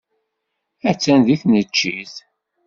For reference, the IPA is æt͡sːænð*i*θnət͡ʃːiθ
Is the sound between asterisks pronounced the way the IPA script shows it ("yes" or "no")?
yes